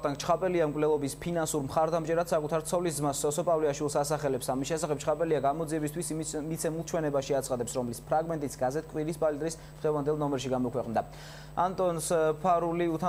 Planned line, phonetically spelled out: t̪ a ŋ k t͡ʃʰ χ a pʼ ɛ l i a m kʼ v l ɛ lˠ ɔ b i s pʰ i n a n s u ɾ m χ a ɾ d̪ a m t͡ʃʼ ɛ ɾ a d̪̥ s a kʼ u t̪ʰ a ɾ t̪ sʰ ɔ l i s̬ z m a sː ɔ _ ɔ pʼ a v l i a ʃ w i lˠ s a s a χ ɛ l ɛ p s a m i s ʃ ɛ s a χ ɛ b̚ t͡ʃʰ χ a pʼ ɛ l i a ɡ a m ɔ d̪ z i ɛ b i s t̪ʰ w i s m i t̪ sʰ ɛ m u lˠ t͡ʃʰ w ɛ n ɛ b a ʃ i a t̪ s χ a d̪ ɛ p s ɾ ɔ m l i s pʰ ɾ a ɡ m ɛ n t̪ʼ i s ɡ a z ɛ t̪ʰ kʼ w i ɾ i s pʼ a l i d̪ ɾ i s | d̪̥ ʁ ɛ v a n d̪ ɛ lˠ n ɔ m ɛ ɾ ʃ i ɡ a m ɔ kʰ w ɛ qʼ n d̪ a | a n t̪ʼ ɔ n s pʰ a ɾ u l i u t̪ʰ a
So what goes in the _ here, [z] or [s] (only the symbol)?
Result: s